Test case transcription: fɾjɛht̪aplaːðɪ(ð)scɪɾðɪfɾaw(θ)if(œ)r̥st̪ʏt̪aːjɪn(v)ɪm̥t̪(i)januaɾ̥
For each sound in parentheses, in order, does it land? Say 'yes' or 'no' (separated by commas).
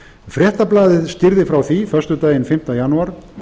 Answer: yes, yes, yes, no, no